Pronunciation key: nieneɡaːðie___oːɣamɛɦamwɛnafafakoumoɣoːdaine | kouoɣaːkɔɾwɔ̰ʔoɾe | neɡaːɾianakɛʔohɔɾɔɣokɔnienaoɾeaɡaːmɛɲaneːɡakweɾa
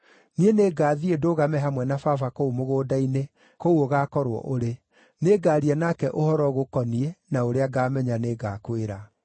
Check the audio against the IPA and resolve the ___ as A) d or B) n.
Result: A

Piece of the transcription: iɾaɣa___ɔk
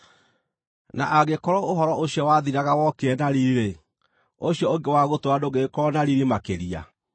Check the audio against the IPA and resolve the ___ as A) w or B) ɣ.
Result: A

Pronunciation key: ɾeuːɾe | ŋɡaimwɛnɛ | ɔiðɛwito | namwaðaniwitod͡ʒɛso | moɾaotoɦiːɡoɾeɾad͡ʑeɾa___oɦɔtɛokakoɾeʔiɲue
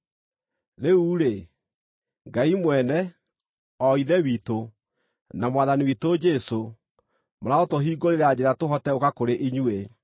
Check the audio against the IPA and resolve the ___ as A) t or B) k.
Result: A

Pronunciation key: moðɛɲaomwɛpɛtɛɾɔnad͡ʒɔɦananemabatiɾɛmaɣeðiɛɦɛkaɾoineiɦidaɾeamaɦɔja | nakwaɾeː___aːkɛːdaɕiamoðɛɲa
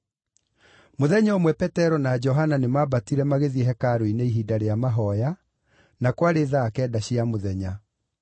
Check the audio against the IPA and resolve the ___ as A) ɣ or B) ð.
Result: B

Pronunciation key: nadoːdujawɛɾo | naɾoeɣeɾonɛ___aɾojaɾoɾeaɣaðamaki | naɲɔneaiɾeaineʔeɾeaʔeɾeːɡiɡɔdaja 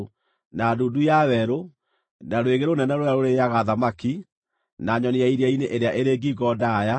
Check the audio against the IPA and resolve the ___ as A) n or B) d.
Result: A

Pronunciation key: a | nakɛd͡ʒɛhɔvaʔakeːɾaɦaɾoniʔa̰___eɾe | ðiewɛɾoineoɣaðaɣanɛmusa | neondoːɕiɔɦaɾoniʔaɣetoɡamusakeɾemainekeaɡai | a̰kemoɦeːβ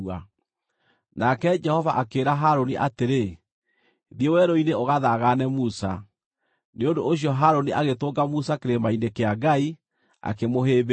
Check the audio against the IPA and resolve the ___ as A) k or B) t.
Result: B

